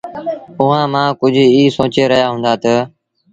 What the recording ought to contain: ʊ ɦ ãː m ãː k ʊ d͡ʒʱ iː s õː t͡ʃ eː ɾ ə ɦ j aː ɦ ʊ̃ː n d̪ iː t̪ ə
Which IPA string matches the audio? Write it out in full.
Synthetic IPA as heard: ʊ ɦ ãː m ãː k ʊ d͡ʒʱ iː s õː t͡ʃ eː ɾ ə ɦ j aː ɦ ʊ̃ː n d̪ aː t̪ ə

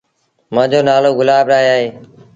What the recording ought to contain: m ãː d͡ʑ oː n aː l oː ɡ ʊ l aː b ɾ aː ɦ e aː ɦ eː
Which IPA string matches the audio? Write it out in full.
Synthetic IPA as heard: m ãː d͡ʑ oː n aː l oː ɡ ʊ l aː b ɾ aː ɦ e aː ɦ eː

